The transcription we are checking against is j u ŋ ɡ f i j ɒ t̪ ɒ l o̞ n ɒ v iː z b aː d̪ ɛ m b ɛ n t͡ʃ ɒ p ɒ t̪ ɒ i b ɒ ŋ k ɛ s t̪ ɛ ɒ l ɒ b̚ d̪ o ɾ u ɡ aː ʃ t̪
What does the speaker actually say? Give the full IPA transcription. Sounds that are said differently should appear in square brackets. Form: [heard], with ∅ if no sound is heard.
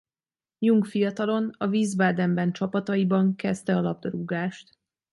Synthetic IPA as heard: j u ŋ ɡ f i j ɒ t̪ ɒ l o̞ n ɒ v iː z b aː d̪ ɛ m b ɛ n t͡ʃ ɒ p ɒ t̪ ɒ i b ɒ ŋ k ɛ s t̪ ɛ ɒ l ɒ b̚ d̪ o ɾ u ɡ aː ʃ t̪